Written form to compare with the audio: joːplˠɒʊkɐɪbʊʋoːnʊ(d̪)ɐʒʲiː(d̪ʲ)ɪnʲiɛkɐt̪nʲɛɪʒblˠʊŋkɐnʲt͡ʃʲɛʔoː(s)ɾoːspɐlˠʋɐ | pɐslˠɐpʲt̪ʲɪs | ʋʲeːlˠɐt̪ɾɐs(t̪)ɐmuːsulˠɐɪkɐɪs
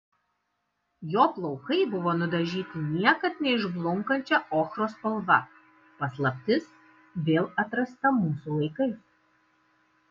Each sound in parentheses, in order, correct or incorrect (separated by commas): correct, incorrect, incorrect, correct